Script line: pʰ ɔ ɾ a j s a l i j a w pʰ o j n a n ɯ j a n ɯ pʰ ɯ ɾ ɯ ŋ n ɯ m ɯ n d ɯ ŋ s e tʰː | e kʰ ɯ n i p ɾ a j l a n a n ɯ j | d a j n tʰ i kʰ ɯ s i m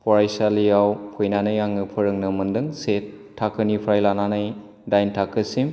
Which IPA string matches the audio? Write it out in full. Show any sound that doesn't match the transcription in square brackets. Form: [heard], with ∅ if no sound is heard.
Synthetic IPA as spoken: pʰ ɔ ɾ a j s a l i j a w pʰ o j n a n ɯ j a [ŋ] ɯ pʰ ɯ ɾ ɯ ŋ n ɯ m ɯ n d ɯ ŋ s e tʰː | [a] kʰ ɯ n i [pʰ] ɾ a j l a n a n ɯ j | d a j n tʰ [a] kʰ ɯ s i m